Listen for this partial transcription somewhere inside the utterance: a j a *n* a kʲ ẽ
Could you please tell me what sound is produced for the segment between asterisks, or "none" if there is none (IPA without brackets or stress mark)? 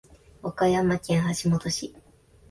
m